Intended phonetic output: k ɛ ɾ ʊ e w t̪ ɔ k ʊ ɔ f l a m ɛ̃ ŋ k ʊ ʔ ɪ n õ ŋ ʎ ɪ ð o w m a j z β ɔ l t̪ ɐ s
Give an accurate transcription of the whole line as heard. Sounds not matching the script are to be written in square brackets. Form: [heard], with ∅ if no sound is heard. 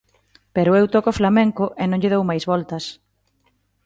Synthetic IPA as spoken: [p] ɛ ɾ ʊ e w t̪ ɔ k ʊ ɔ f l a m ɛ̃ ŋ k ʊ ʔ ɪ n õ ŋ ʎ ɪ ð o w m a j z β ɔ l t̪ ɐ s